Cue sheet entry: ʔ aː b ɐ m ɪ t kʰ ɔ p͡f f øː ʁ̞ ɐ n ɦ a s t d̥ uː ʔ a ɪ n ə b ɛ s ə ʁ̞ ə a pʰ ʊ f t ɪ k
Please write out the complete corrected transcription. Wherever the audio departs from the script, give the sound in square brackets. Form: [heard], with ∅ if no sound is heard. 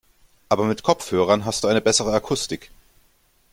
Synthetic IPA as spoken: ʔ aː b ɐ m ɪ t kʰ ɔ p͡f [h] øː ʁ̞ ɐ n ɦ a s t d̥ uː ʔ a ɪ n ə b ɛ s ə ʁ̞ ə a [kʰ] ʊ [s] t ɪ k